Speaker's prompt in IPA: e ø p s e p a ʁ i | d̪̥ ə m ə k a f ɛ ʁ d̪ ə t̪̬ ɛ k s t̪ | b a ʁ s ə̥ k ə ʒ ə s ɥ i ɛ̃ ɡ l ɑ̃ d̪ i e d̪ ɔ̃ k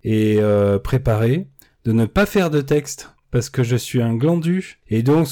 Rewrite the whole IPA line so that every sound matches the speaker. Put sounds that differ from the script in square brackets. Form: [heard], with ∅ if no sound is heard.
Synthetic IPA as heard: e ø p [χ] e p a ʁ [e] | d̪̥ ə [n] ə [p] a f ɛ ʁ d̪ ə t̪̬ ɛ k s t̪ | [p] a ʁ s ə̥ k ə ʒ ə s ɥ i ɛ̃ ɡ l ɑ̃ d̪ [y] e d̪ ɔ̃ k